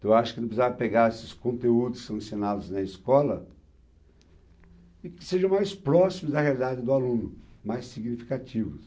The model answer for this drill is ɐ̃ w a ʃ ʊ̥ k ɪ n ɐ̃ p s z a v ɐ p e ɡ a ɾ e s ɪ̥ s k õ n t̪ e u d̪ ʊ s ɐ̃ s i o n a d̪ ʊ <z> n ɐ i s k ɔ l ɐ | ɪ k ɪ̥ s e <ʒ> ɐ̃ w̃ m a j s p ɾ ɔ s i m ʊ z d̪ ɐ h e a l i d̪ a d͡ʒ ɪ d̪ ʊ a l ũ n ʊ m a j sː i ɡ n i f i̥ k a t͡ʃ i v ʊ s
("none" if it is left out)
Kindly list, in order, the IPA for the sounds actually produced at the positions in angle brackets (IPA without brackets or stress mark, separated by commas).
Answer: z, ʒ